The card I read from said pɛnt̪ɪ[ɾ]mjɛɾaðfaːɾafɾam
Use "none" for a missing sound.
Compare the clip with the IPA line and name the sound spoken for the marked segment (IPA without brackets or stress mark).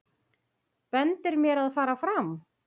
ɾ